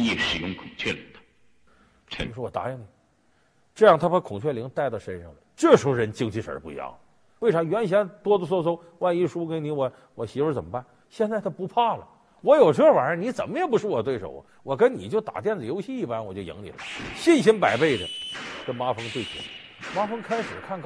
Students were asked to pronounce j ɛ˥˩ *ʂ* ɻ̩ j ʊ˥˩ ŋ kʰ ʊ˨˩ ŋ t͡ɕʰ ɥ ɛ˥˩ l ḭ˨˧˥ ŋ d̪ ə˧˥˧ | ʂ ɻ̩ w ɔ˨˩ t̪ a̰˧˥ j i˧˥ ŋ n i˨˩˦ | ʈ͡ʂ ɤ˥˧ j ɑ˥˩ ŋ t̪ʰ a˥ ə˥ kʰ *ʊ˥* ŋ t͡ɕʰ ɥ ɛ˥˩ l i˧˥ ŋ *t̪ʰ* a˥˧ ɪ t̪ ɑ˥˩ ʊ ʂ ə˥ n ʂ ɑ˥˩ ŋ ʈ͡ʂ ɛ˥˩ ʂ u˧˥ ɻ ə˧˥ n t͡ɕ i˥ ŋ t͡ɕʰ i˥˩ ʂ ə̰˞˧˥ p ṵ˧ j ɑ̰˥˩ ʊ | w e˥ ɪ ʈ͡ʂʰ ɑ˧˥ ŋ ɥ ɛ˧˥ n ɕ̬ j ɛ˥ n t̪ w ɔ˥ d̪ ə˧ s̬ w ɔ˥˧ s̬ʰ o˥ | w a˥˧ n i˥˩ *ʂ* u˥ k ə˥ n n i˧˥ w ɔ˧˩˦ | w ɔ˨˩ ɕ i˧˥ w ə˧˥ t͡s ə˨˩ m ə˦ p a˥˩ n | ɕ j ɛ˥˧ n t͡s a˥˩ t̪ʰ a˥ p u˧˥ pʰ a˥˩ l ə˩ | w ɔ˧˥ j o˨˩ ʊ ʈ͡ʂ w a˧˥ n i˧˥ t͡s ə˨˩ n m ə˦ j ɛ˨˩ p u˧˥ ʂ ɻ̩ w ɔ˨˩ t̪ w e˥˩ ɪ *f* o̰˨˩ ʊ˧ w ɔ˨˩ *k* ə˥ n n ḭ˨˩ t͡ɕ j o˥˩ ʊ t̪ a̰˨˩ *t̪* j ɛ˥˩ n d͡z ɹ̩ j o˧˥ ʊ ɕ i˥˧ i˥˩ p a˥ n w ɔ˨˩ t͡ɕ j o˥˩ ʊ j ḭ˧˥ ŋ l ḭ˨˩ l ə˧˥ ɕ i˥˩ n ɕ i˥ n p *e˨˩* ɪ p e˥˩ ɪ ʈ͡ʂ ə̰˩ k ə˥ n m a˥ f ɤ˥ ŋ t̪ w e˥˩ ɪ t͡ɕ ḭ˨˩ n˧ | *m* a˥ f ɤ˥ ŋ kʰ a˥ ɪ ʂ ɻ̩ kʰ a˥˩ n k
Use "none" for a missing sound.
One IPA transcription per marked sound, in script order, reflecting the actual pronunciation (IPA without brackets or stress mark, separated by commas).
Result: ʂ, ʊ˨˩, t̪, ʂ, ʂ, k, t̪, a˨˩, m